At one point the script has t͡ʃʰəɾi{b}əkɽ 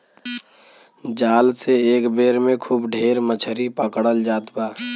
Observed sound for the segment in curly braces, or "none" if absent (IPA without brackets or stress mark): p